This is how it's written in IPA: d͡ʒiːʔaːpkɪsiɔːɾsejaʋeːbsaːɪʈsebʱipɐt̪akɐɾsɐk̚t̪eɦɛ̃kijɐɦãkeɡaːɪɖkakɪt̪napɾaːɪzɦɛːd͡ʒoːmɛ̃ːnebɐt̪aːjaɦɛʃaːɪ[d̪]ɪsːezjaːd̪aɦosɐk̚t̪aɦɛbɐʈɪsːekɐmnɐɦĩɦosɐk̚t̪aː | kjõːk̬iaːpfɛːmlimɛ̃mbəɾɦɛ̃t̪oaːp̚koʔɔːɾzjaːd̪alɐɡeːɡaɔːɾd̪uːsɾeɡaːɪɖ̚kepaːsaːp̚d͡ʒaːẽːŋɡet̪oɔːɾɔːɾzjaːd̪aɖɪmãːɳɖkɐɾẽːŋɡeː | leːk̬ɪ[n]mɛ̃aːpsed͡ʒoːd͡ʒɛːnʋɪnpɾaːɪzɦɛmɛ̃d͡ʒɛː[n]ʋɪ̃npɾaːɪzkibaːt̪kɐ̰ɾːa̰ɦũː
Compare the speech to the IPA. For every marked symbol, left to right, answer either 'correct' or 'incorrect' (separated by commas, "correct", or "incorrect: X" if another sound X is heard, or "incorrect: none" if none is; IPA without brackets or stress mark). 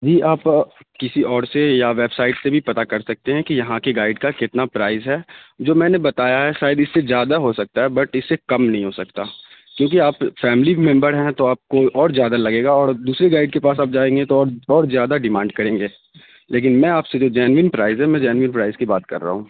correct, correct, correct